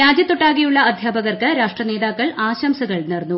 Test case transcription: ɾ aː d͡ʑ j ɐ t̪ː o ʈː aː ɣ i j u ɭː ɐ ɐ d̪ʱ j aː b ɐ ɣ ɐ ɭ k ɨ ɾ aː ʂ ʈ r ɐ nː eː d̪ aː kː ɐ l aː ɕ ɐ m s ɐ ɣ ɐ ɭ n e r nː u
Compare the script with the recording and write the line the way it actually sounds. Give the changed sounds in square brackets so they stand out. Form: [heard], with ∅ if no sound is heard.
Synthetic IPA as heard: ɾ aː d͡ʑ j ɐ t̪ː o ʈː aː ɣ i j u ɭː ɐ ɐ d̪ʱ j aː b ɐ ɣ ɐ [r] k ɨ ɾ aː ʂ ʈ r ɐ [n] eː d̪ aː kː ɐ [ɭ] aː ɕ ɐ m s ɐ ɣ ɐ ɭ n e r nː u